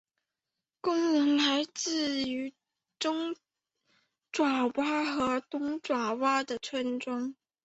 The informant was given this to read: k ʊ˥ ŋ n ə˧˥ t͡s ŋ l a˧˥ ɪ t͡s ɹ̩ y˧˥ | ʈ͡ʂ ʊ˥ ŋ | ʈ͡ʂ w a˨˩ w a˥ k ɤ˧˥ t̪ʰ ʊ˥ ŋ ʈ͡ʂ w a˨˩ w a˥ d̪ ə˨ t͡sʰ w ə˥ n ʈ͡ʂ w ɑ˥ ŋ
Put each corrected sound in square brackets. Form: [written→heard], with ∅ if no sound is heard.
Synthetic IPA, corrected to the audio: k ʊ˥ ŋ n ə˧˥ [t͡s→∅] ŋ l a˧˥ ɪ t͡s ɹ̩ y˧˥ | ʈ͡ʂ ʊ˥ ŋ | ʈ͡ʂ w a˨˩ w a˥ [k→x] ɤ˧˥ [t̪ʰ→t̪] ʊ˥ ŋ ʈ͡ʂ w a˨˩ w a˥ d̪ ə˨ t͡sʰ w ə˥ n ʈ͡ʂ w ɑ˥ ŋ